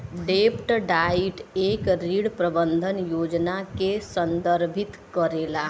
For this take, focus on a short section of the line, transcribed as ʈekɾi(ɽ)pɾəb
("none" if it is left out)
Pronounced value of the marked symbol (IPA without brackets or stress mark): ɽ